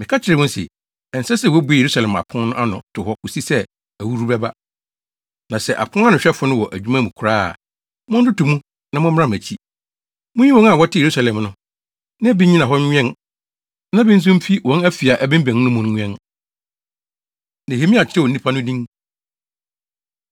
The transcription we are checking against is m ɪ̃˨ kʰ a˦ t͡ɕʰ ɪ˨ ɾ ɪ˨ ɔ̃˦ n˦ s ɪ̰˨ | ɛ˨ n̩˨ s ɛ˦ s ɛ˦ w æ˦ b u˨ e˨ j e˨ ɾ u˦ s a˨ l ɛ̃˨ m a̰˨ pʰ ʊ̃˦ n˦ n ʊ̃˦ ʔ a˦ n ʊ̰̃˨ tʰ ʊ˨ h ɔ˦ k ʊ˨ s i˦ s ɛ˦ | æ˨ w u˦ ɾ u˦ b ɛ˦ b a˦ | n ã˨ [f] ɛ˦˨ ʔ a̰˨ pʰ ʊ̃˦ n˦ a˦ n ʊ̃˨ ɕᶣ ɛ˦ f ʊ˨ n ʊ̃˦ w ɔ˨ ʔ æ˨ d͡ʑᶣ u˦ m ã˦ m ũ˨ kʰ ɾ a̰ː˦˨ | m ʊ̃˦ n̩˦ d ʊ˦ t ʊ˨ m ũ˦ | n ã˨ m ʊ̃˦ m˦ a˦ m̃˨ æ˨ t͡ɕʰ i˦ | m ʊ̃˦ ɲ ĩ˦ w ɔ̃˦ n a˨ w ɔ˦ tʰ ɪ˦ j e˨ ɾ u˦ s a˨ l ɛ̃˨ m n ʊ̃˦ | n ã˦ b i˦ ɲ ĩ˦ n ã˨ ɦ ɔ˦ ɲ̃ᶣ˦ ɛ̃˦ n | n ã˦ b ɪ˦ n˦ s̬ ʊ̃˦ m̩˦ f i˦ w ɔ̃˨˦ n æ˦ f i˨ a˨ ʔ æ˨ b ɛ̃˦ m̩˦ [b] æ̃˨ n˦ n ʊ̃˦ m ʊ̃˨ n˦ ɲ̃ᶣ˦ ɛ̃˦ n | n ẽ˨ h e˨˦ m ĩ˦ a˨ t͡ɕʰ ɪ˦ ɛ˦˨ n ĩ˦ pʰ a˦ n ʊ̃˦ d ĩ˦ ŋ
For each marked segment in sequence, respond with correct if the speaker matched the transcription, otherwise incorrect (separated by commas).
incorrect, correct